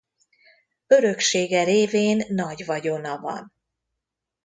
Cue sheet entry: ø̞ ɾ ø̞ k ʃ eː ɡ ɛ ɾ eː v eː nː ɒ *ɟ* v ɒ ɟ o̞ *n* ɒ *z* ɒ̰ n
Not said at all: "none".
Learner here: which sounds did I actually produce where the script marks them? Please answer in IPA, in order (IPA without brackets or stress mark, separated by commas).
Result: ɟ, n, v